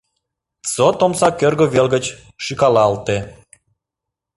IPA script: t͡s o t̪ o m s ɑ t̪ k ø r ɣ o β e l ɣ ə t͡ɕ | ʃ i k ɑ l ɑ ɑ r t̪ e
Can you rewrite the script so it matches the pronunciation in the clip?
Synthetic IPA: t͡s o t̪ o m s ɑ k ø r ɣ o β e l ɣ ə t͡ɕ | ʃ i k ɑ l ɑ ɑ l t̪ e